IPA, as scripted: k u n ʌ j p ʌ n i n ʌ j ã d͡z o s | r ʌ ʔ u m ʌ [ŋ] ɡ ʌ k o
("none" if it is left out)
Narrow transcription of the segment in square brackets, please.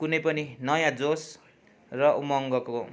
ŋ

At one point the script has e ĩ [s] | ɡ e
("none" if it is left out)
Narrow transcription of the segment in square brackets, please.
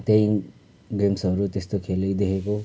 none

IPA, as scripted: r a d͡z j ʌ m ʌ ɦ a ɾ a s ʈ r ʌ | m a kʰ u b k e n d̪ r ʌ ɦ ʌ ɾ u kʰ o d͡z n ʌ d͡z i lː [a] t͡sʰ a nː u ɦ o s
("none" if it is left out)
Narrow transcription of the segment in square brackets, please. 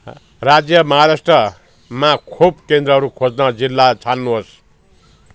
a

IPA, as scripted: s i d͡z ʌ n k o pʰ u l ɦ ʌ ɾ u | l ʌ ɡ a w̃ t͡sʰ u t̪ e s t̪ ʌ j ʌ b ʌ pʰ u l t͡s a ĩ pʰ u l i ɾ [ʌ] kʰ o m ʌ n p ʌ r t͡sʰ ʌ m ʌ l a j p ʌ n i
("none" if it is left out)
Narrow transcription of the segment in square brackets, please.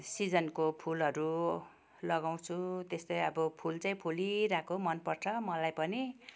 a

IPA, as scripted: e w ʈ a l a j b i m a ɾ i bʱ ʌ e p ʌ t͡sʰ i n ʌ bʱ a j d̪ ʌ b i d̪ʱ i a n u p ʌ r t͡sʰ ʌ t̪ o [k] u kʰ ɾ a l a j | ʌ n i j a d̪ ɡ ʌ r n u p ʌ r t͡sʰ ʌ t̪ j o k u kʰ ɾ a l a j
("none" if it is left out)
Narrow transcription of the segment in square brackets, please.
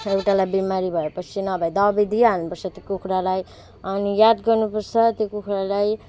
k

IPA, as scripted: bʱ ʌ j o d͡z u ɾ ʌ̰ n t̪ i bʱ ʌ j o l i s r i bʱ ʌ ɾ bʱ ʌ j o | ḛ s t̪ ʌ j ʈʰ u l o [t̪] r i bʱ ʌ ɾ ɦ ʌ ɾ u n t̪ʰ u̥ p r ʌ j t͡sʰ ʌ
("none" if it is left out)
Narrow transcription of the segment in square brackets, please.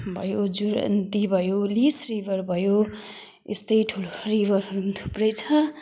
none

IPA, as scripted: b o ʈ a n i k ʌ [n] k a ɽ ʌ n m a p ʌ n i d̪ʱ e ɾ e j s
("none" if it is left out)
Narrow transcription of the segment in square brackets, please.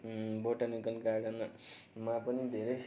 n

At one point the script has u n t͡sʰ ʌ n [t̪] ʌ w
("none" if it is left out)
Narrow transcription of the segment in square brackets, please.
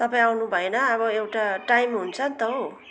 t̪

